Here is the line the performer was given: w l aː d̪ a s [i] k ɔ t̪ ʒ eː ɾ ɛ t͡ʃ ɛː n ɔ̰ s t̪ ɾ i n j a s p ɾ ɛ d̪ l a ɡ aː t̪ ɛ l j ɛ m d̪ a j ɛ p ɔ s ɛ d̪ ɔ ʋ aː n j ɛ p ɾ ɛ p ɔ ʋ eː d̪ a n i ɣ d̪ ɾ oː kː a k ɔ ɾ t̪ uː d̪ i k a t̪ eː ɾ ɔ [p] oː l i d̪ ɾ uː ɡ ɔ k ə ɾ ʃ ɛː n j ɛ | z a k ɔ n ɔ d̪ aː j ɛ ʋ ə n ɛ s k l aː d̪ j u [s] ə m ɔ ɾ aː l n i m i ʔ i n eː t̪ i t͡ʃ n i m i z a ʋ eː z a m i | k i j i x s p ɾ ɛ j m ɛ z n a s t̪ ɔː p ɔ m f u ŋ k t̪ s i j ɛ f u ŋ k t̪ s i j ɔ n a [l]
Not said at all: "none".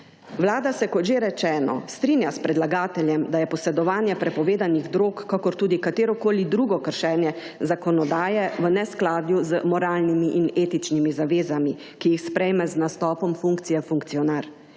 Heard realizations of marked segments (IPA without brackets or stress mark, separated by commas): ɛ, k, z, ɾ